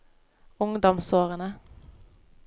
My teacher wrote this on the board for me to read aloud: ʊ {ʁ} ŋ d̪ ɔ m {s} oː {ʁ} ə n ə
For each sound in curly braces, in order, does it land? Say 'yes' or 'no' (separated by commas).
no, yes, yes